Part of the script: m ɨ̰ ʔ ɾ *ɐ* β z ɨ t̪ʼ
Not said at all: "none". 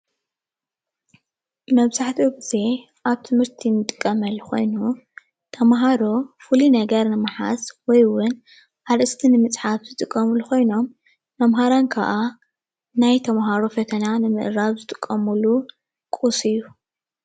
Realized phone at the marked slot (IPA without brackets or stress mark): a